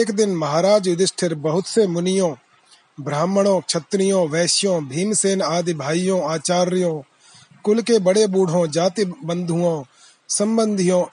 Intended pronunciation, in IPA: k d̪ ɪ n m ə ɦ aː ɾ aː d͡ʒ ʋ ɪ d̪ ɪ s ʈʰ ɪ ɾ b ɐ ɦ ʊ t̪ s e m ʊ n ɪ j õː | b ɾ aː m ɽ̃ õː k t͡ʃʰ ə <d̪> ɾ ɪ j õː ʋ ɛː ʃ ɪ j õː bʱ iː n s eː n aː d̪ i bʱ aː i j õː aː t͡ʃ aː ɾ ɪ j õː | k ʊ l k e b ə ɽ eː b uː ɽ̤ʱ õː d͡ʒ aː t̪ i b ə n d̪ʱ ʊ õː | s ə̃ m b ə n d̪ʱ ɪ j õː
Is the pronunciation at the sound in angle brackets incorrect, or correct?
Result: incorrect